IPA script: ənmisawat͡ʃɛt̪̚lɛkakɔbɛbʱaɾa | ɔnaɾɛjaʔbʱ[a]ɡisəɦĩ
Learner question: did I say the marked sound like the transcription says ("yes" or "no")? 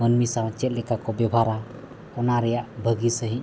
no